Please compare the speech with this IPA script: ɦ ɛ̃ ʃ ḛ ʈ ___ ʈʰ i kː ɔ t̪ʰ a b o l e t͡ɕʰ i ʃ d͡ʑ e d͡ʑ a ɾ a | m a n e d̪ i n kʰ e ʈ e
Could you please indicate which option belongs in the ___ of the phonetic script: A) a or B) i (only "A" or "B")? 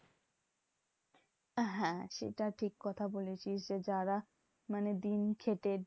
A